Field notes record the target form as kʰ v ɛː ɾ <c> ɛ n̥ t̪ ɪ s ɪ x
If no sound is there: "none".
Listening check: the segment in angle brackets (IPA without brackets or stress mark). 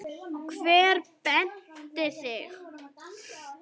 p